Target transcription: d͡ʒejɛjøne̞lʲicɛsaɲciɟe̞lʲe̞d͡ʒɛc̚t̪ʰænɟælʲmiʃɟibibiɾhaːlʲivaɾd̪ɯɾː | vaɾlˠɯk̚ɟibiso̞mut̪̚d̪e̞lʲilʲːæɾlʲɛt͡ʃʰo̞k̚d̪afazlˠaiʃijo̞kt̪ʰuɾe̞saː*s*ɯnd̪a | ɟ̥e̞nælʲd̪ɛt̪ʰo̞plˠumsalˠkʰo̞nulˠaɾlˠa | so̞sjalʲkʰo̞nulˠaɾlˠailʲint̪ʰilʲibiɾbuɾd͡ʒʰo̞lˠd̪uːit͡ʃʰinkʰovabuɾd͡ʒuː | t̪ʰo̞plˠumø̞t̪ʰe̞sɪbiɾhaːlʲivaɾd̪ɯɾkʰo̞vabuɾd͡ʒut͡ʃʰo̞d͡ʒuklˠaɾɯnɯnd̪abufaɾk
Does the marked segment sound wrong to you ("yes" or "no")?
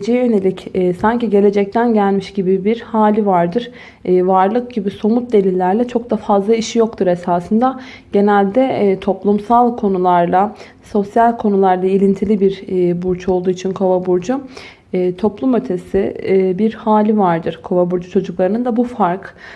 no